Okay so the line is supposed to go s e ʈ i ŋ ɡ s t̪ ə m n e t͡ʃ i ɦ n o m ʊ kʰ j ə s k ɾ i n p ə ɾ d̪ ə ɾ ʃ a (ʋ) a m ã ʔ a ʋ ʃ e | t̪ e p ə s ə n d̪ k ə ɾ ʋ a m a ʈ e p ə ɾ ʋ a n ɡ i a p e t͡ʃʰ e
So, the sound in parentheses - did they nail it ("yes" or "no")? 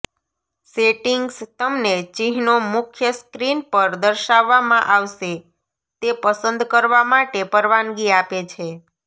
no